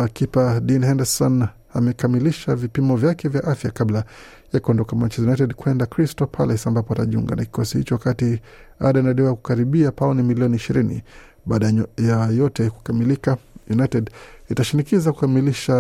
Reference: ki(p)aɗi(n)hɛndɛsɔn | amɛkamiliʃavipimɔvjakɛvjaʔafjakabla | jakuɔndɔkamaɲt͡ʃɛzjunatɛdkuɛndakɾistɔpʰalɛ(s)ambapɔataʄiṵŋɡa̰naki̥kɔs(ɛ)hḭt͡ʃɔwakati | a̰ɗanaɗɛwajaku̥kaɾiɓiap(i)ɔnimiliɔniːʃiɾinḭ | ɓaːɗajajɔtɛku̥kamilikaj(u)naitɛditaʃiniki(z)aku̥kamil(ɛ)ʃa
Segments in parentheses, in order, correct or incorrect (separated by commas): correct, correct, correct, incorrect, incorrect, correct, correct, incorrect